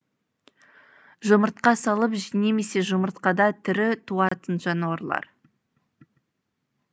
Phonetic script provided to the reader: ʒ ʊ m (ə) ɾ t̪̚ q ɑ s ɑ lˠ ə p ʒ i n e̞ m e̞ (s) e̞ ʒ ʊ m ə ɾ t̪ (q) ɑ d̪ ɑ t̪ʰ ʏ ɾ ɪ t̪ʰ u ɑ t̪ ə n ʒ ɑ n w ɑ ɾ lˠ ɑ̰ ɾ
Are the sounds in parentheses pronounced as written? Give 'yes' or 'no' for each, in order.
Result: yes, yes, yes

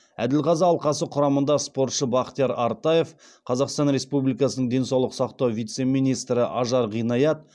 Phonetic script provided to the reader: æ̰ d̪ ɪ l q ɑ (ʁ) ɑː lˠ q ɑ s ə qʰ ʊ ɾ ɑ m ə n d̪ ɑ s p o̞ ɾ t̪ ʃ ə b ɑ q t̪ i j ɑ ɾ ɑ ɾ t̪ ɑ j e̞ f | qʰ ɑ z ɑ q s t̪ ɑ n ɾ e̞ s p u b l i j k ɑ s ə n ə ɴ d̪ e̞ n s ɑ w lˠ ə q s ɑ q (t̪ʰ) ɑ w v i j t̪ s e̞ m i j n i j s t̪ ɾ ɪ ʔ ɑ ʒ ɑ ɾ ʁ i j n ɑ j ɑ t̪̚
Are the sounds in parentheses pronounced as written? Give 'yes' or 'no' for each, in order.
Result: no, no

